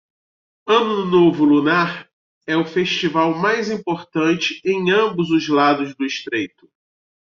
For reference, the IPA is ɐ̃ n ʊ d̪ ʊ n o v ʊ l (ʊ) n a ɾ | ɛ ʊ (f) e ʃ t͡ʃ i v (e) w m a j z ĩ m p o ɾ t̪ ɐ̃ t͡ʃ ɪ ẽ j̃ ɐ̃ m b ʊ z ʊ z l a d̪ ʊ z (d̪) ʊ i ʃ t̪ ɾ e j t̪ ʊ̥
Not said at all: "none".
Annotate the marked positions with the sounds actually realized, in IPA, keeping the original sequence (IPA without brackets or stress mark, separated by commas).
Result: u, f, a, d̪